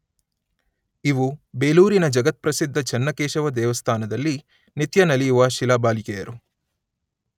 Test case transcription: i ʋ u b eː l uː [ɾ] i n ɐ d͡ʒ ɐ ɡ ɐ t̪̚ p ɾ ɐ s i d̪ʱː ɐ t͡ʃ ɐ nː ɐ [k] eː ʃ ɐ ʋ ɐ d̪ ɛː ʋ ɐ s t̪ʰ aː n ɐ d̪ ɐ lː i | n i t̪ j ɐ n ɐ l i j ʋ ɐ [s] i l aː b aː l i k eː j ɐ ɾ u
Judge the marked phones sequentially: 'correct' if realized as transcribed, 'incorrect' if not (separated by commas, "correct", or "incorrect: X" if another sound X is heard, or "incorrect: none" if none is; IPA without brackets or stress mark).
correct, correct, incorrect: ʃ